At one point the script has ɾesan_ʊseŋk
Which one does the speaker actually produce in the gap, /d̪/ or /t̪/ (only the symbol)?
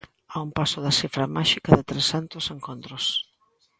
t̪